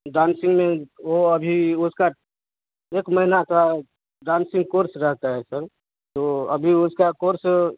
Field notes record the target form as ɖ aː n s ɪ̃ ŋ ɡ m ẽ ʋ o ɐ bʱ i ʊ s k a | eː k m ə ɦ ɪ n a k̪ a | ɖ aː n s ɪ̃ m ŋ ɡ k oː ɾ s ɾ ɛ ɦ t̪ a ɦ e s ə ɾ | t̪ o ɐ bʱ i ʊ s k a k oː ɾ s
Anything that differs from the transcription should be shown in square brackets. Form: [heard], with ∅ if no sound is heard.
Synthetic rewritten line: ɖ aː n s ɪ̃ ŋ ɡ m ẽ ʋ o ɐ bʱ i ʊ s k a | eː k m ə ɦ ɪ n a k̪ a | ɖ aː n s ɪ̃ [∅] ŋ ɡ k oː ɾ s ɾ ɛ ɦ t̪ a ɦ [ɛ] s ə ɾ | t̪ o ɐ bʱ i ʊ s k a k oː ɾ s